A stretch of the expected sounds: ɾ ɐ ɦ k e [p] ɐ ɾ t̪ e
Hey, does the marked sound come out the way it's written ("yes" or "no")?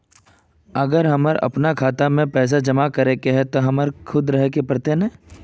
yes